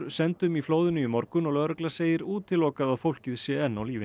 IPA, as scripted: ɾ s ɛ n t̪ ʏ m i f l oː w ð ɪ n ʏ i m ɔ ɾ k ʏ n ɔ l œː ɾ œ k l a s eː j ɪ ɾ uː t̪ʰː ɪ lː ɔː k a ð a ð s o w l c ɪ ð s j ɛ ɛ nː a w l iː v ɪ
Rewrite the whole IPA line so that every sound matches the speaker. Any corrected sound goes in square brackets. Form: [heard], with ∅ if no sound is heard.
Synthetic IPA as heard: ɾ s ɛ n t̪ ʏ m i f l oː w ð ɪ n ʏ i m ɔ ɾ k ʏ n ɔ l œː ɾ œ k l a s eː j ɪ ɾ uː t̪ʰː ɪ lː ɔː k a ð a ð [f] o w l c ɪ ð s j ɛ ɛ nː a w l iː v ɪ